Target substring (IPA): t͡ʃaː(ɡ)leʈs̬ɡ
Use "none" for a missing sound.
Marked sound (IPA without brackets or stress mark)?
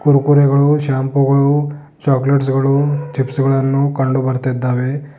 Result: k